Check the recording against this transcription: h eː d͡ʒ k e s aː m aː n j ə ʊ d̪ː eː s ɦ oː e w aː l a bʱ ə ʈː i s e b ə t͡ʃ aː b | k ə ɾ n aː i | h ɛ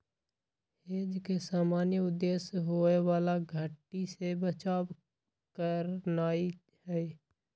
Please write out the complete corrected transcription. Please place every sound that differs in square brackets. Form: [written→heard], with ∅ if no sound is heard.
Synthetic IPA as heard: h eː d͡ʒ k e s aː m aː n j ə ʊ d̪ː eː s ɦ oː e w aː l a [bʱ→ɡʱ] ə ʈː i s e b ə t͡ʃ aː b | k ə ɾ n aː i | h ɛ